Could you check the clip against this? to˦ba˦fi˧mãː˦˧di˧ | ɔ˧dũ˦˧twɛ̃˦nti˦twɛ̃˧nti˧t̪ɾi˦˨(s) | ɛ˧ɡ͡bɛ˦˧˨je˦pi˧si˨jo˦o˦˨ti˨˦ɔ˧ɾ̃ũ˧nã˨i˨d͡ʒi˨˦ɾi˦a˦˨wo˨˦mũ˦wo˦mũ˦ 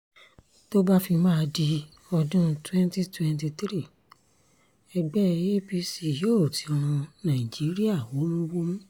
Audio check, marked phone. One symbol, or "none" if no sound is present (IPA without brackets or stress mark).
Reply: none